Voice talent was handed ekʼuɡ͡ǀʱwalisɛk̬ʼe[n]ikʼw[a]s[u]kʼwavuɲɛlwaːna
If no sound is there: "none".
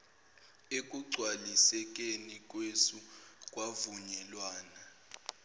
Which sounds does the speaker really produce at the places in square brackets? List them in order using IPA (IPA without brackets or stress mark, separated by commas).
n, e, u